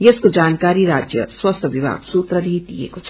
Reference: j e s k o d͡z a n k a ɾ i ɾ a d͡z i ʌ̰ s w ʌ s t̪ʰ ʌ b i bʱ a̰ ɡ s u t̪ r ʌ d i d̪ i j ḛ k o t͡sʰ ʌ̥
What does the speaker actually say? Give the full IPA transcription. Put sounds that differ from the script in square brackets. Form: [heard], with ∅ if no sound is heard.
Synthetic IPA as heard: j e s k o d͡z a n k a ɾ i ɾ a d͡z [j] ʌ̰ s w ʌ s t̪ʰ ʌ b i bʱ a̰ ɡ s u t̪ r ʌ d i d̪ i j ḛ k o t͡sʰ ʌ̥